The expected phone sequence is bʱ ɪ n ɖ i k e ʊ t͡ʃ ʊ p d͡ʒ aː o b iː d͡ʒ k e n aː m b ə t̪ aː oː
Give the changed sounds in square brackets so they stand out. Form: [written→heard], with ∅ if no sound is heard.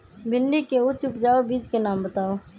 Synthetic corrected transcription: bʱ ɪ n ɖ i k e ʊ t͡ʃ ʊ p d͡ʒ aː o b iː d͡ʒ k e n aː m b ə t̪ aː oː

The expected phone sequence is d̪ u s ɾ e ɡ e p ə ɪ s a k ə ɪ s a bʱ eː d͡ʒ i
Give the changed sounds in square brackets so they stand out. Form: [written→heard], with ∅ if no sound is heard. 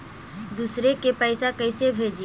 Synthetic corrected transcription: d̪ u s ɾ e [ɡ→k] e p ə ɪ s a k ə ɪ s [a→e] bʱ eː d͡ʒ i

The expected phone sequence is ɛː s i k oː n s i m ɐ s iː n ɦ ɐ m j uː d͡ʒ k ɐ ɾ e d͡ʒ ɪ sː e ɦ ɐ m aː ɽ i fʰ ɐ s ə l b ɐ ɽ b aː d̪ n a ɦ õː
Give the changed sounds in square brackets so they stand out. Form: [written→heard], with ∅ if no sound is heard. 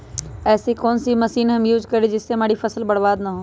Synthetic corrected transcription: ɛː s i k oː n s i m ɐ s iː n ɦ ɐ m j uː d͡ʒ k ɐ ɾ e d͡ʒ ɪ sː e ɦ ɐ m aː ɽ i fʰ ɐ s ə l b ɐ ɽ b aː d̪ n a ɦ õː

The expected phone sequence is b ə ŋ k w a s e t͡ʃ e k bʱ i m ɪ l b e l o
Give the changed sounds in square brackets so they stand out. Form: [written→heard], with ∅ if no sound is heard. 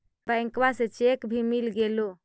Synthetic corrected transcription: b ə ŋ k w a s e t͡ʃ e k bʱ i m [ɪ→i] l [b→ɡ] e l o

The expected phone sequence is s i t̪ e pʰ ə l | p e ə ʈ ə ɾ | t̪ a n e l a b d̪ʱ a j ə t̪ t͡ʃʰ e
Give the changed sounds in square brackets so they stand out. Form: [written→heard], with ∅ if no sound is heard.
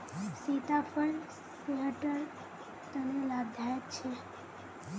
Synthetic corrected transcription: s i t̪ [e→a] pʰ ə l | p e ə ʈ ə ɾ | t̪ [a→ə] n e l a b d̪ʱ a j ə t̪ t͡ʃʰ e

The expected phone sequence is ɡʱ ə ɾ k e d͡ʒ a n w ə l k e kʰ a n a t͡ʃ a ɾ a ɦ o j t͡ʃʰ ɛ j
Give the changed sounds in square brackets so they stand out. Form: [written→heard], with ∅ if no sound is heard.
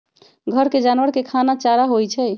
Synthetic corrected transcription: ɡʱ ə ɾ k e d͡ʒ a n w ə [l→ɾ] k e kʰ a n a t͡ʃ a ɾ a ɦ o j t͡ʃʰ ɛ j

